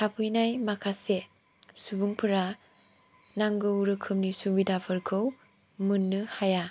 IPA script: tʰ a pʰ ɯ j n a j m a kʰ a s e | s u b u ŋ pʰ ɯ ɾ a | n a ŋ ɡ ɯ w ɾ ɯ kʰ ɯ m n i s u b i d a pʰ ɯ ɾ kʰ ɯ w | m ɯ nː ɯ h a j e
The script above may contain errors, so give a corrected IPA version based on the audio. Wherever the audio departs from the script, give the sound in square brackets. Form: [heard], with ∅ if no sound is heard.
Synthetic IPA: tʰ a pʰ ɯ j n a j m a kʰ a s e | s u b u ŋ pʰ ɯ ɾ a | n a ŋ ɡ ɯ w ɾ ɯ kʰ ɯ m n i s u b i d a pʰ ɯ ɾ kʰ ɯ w | m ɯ nː ɯ h a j [a]